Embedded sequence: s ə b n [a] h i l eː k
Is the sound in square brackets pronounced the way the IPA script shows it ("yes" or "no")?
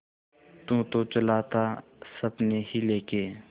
no